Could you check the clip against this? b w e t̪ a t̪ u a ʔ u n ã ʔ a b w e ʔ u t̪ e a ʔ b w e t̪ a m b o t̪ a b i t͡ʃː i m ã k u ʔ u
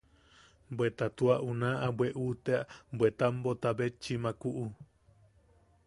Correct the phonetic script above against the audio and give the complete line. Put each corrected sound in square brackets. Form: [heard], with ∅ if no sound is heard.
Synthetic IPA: b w e t̪ a t̪ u a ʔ u n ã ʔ a b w e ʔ u t̪ e a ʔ b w e t̪ a m b o t̪ a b [e] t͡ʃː i m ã k u ʔ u